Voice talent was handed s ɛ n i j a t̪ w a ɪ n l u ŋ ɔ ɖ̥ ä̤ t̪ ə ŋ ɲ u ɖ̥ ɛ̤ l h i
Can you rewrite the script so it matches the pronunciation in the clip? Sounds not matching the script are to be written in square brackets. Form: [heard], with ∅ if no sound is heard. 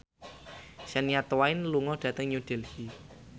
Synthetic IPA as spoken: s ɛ n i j a t̪ w a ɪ n l u ŋ ɔ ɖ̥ ä̤ t̪ ə ŋ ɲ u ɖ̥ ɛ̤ l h i